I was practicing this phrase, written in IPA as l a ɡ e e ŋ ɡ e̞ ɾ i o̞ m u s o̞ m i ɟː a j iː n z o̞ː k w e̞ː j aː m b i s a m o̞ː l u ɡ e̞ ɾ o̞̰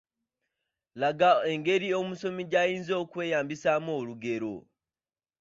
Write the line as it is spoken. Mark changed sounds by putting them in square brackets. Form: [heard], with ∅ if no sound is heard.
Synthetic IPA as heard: l a ɡ [a] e ŋ ɡ e̞ ɾ i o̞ m u s o̞ m i [ɟ] a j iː n z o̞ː k w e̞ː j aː m b i s a m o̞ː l u ɡ e̞ ɾ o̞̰